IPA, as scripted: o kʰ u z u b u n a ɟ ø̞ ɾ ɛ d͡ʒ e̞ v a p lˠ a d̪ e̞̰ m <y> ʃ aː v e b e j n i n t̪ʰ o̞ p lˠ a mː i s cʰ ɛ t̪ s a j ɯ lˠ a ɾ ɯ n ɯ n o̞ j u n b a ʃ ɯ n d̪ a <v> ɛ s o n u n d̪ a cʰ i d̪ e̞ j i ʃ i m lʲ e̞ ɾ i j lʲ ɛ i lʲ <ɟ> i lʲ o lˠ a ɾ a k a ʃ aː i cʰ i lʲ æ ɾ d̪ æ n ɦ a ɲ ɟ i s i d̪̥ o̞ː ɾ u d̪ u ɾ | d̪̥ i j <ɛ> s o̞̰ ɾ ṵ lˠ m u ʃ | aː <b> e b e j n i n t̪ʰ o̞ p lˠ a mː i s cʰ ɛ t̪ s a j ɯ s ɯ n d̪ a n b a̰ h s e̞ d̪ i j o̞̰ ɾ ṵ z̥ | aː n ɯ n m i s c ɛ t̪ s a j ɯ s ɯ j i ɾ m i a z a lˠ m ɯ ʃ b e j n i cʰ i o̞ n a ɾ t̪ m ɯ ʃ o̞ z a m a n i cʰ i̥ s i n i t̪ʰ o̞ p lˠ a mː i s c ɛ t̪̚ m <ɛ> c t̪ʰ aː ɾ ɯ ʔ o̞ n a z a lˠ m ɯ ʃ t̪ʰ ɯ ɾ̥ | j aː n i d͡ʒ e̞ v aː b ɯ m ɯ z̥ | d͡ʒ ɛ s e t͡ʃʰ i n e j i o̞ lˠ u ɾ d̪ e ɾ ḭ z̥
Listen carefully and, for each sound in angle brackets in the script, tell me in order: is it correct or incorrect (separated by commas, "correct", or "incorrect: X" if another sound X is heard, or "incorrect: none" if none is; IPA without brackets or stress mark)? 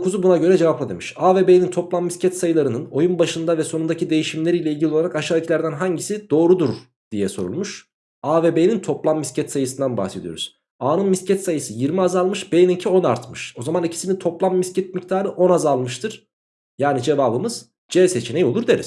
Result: incorrect: i, correct, correct, correct, incorrect: v, incorrect: i